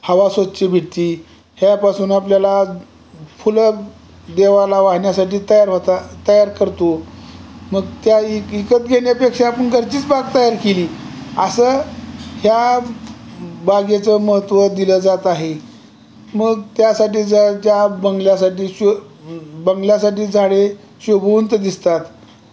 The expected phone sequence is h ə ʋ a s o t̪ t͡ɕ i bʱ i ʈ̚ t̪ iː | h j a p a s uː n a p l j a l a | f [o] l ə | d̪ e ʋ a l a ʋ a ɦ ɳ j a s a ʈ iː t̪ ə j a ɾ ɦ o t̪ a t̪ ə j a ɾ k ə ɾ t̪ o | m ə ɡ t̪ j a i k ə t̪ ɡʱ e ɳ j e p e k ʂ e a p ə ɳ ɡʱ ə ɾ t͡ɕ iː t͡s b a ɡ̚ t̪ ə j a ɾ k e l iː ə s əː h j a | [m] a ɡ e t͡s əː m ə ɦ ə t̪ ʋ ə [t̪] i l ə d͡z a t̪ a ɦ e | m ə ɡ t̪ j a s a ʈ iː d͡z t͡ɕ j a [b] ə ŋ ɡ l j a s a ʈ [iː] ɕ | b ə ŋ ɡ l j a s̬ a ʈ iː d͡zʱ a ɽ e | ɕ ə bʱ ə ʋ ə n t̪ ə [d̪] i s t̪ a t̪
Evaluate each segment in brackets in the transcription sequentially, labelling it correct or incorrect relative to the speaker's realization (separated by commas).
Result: incorrect, incorrect, incorrect, correct, correct, correct